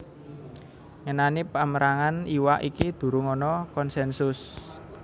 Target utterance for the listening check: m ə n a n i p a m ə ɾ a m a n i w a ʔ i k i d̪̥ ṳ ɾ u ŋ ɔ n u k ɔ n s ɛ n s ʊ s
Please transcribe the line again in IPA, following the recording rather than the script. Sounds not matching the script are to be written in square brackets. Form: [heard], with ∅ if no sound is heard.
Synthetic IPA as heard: [ŋ] ə n a n i p a m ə ɾ a [ŋ] a n i w a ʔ i k i d̪̥ ṳ ɾ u ŋ ɔ n [ɔ] k ɔ n s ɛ n s ʊ s

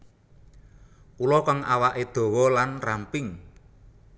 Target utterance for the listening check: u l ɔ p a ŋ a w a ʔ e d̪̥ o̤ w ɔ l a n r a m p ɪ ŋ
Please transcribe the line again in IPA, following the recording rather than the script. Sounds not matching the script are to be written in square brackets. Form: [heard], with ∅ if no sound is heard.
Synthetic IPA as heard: u l ɔ [k] a ŋ a w a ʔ e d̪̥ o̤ w ɔ l a n r a m p ɪ ŋ

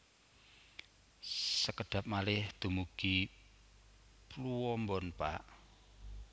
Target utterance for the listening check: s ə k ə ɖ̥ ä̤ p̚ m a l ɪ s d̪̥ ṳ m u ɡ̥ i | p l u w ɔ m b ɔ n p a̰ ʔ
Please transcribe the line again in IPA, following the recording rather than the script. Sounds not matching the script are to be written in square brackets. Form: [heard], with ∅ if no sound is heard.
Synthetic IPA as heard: s ə k ə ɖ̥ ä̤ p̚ m a l ɪ [h] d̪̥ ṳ m u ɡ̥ i | p l u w ɔ m b ɔ n p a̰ ʔ

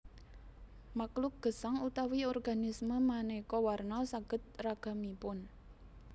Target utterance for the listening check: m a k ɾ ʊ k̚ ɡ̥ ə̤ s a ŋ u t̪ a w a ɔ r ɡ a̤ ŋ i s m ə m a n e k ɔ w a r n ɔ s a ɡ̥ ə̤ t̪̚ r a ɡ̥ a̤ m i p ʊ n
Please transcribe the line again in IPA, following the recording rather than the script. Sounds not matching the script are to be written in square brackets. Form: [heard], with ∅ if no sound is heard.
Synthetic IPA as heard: m a k [l] ʊ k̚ ɡ̥ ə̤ s a ŋ u t̪ a w [i] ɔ r ɡ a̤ [n] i s m ə m a n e k ɔ w a r n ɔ s a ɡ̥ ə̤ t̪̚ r a ɡ̥ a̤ m i p ʊ n

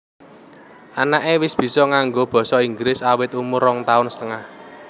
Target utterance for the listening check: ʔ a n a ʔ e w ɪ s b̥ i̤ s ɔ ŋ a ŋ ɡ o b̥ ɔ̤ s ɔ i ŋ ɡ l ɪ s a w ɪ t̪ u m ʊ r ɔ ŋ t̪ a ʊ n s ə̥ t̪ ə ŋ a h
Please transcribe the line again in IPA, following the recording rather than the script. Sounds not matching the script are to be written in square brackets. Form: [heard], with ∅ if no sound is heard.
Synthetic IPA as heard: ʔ a n a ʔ e w ɪ s b̥ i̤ s ɔ ŋ a ŋ ɡ o b̥ ɔ̤ s ɔ i ŋ ɡ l ɪ s a w ɪ t̪ u m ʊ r ɔ ŋ t̪ a ʊ n s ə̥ t̪ ə ŋ a h

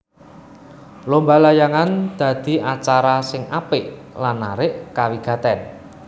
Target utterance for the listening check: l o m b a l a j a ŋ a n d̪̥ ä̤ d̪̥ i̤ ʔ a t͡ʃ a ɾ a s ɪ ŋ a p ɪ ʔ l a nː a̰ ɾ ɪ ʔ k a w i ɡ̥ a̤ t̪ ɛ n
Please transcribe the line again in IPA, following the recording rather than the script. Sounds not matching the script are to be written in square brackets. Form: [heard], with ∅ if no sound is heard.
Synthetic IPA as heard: l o m b a l a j a ŋ a n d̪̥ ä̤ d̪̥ i̤ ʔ a t͡ʃ a ɾ a s ɪ ŋ a p ɪ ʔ l a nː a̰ ɾ ɪ ʔ k a w i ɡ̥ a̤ t̪ ɛ n

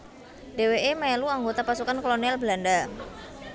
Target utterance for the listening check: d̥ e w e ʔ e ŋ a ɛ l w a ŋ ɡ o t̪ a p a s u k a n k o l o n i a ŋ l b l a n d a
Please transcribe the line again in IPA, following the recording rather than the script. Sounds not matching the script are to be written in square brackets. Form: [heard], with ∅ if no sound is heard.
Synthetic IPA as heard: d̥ e w e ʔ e [m] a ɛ l [u] a ŋ ɡ o t̪ a p a s u k a n k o l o n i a [∅] l b l a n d a

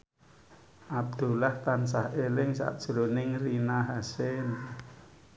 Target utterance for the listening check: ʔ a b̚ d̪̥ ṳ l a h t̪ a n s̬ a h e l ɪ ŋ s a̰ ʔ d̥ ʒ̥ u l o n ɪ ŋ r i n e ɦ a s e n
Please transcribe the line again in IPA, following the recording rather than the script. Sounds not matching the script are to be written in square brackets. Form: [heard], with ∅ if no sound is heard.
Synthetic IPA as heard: ʔ a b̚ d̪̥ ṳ l a h t̪ a n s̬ a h e l ɪ ŋ s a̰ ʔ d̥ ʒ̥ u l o n ɪ ŋ r i n [a] ɦ a s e n

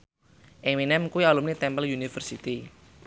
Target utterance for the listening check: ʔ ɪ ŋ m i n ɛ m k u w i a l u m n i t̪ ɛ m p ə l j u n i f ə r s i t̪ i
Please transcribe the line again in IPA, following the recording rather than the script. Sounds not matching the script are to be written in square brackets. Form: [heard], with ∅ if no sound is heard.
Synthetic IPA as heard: ʔ ɪ ŋ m i n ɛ m k u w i a l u m n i t̪ ɛ m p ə l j u n i f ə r s i t̪ i

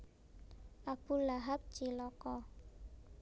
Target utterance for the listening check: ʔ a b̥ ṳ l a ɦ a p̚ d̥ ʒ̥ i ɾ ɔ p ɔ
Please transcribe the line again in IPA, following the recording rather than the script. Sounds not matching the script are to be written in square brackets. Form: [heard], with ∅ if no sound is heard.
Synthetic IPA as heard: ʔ a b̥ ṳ l a ɦ a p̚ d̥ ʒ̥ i [l] ɔ [k] ɔ

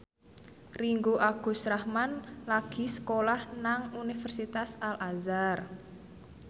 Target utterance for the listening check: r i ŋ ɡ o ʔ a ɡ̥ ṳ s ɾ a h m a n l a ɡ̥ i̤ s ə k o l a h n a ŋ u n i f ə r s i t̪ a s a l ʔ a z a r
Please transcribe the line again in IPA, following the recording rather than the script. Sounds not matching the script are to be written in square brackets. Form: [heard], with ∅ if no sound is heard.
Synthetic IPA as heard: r i ŋ ɡ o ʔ a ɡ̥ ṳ s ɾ a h m a n l a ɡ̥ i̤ s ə k o l a h n a ŋ u n i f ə r s i t̪ a s a l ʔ a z a r

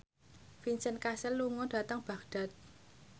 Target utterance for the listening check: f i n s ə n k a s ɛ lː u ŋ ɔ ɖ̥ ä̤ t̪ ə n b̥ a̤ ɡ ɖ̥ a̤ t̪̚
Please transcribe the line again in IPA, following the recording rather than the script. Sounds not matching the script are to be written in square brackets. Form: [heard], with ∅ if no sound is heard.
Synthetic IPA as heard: f i n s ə n k a s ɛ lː u ŋ ɔ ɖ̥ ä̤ t̪ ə [ŋ] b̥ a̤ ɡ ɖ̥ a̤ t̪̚

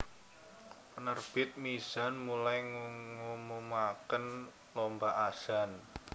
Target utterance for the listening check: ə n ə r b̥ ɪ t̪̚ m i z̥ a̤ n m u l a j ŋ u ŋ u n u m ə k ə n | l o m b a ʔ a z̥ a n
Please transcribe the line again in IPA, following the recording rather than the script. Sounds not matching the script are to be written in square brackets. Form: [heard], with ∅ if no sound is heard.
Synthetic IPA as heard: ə n ə r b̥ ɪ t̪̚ m i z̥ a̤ n m u l a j ŋ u ŋ u [m] u m [a] k ə n | l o m b a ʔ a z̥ a n

